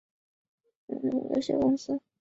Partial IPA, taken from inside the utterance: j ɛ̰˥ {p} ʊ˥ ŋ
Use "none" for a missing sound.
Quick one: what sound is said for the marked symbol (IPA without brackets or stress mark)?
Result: k